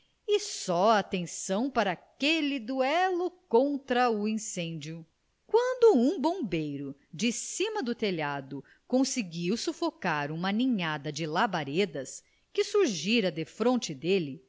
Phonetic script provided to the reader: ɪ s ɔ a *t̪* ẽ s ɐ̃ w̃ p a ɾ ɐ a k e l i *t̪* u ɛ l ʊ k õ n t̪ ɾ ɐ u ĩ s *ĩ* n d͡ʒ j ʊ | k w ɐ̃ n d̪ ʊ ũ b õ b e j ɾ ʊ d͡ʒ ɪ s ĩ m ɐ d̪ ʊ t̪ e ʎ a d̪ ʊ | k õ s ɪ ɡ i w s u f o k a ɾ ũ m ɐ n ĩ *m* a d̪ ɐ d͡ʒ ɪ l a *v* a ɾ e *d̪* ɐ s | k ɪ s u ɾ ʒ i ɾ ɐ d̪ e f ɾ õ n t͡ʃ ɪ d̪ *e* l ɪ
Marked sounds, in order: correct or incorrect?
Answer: correct, incorrect, incorrect, incorrect, incorrect, correct, correct

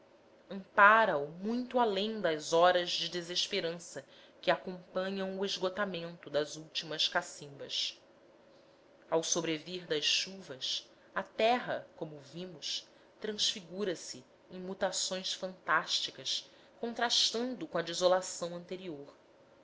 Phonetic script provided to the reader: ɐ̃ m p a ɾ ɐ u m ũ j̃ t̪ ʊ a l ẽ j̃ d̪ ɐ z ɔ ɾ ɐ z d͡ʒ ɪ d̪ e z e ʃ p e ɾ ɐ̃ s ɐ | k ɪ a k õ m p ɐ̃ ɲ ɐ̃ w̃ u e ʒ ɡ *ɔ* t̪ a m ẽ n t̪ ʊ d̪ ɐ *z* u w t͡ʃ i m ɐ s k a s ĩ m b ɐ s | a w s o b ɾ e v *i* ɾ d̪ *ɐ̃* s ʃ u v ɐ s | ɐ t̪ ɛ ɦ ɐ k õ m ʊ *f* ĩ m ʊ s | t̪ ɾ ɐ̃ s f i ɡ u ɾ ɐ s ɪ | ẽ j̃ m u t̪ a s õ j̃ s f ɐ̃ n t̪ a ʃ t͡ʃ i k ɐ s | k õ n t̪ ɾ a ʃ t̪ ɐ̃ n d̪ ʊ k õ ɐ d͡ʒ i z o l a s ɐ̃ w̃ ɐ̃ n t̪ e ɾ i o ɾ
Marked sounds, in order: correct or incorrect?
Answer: incorrect, correct, correct, incorrect, incorrect

